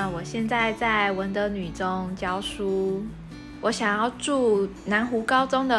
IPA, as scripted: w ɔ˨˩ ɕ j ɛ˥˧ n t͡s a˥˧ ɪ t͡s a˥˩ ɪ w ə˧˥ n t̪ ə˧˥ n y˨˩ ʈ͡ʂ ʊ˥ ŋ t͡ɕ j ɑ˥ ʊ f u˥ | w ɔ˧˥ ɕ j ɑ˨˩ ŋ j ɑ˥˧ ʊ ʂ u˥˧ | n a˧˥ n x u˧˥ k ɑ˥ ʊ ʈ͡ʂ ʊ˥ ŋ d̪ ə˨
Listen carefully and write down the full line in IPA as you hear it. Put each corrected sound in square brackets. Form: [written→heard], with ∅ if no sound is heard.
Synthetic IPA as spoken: w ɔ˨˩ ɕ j ɛ˥˧ n t͡s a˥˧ ɪ t͡s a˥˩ ɪ w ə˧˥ n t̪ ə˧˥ n y˨˩ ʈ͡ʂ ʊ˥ ŋ t͡ɕ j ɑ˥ ʊ [f→ʂ] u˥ | w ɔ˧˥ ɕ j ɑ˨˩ ŋ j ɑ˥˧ ʊ [ʂ→ʈ͡ʂ] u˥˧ | n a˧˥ n x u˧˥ k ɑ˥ ʊ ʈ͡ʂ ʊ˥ ŋ d̪ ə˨